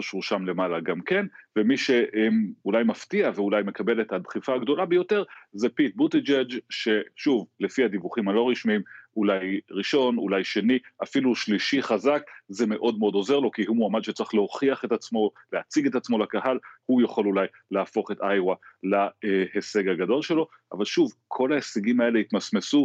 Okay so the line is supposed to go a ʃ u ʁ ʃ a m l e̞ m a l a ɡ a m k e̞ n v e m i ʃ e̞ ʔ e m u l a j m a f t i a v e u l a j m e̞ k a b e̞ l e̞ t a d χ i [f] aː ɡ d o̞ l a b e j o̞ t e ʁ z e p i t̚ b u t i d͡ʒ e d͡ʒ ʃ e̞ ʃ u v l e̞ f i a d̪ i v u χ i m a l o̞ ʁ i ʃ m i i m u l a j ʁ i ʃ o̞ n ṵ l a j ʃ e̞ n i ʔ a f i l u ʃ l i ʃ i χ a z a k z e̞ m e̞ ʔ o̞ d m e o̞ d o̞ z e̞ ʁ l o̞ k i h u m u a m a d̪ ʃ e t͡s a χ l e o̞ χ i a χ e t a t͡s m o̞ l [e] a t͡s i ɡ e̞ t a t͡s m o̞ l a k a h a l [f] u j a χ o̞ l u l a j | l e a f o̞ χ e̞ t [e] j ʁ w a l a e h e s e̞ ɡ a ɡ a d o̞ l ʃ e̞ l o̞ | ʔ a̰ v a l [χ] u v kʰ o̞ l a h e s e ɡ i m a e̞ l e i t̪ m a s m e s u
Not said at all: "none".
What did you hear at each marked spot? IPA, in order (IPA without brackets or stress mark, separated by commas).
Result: f, e, h, a, ʃ